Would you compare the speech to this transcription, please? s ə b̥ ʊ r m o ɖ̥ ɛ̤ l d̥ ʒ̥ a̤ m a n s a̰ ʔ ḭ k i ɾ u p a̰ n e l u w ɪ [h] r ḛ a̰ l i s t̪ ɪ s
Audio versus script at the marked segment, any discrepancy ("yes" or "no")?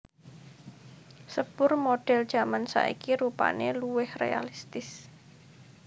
no